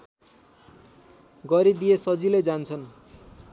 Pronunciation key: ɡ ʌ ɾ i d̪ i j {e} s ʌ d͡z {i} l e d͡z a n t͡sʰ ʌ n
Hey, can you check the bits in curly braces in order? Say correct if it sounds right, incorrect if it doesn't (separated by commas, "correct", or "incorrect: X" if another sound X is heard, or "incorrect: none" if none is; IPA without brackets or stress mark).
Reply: correct, correct